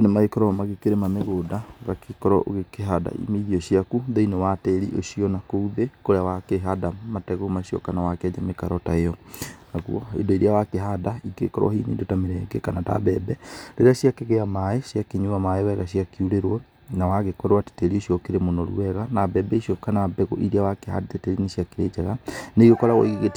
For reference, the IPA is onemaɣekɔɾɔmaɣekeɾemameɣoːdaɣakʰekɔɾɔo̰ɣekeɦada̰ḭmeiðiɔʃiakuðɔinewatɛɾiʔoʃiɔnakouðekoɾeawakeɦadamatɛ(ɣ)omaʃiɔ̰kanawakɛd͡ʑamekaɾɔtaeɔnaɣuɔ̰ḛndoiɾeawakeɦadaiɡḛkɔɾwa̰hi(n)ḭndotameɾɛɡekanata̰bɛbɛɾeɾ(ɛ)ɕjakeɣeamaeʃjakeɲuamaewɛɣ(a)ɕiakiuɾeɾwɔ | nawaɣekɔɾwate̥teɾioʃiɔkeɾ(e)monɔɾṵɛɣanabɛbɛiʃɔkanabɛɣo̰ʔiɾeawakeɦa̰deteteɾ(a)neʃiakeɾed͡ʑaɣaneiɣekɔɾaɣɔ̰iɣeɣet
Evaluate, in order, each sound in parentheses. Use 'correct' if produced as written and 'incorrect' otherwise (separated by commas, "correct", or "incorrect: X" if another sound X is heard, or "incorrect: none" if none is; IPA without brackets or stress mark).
correct, correct, incorrect: a, correct, correct, incorrect: i